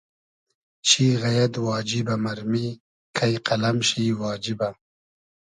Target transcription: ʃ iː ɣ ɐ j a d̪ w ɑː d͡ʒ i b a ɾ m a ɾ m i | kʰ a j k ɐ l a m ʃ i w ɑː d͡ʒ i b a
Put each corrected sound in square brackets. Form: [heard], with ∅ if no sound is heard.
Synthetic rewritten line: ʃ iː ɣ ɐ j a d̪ w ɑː d͡ʒ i b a [∅] m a ɾ m i | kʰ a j [q] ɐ l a m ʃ i w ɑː d͡ʒ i b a